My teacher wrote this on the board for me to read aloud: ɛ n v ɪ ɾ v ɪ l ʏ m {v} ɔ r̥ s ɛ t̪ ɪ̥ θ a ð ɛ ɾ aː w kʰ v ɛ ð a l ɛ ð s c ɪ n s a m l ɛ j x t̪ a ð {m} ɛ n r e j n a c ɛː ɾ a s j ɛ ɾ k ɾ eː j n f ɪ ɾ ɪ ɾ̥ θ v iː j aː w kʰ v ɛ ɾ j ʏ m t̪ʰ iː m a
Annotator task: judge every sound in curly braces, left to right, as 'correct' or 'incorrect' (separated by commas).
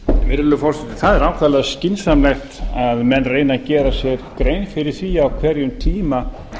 incorrect, correct